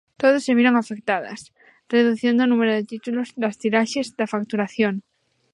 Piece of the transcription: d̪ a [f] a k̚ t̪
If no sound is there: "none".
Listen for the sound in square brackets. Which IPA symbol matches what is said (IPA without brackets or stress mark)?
f